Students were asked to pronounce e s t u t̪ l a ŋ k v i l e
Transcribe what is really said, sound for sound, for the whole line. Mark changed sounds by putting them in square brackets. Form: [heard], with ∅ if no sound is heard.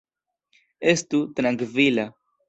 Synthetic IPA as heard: e s t u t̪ [ɾ] a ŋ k v i l [a]